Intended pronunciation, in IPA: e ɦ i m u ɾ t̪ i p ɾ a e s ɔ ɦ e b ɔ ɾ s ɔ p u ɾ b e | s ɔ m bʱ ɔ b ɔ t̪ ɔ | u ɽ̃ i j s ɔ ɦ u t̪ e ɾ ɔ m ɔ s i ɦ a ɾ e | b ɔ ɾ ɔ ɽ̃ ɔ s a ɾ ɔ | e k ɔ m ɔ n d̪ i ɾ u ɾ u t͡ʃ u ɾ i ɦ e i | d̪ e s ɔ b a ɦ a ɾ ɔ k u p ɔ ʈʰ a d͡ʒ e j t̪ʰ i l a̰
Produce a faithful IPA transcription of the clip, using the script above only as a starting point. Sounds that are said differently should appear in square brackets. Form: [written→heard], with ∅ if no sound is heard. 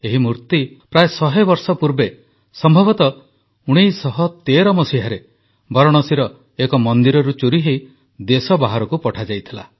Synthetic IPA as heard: e ɦ i m u ɾ t̪ i p ɾ a e s ɔ ɦ e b ɔ ɾ s ɔ p u ɾ b e | s ɔ m bʱ ɔ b ɔ t̪ ɔ | u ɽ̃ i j s ɔ ɦ [u→ɔ] t̪ e ɾ ɔ m ɔ s i ɦ a ɾ e | b ɔ ɾ ɔ ɽ̃ ɔ s [a→i] ɾ ɔ | e k ɔ m ɔ n d̪ i ɾ [u→ɔ] ɾ u t͡ʃ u ɾ i ɦ e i | d̪ e s ɔ b a ɦ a ɾ ɔ k u p ɔ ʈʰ a d͡ʒ [e→a] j t̪ʰ i l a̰